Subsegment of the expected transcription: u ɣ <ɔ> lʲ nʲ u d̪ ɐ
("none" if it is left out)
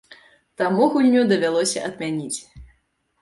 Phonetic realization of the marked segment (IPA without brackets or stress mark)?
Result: u